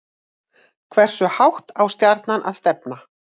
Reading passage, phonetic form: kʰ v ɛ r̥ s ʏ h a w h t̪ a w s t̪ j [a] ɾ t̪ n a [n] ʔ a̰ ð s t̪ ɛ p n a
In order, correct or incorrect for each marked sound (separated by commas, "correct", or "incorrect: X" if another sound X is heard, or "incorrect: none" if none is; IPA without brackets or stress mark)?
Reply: correct, correct